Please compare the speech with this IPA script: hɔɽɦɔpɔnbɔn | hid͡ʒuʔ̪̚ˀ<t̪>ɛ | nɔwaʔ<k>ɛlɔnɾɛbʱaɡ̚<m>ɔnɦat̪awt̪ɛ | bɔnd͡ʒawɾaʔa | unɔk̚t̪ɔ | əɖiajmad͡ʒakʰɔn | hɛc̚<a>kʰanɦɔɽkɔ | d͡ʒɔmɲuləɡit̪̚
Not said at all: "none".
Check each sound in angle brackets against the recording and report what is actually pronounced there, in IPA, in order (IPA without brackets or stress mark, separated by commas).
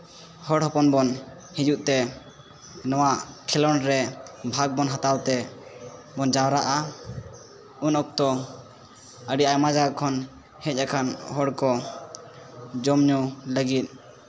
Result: t̪, kʰ, b, a